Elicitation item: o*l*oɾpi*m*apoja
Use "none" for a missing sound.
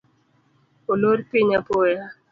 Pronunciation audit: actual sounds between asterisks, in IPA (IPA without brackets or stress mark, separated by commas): l, ɲ